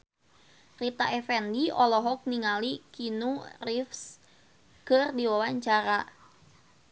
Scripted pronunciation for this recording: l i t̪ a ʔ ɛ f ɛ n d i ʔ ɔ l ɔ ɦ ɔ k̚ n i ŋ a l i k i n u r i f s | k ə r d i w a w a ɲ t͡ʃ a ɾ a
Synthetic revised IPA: r i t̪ a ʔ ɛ f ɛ n d i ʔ ɔ l ɔ ɦ ɔ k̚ n i ŋ a l i k i n u r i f s | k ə r d i w a w a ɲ t͡ʃ a ɾ a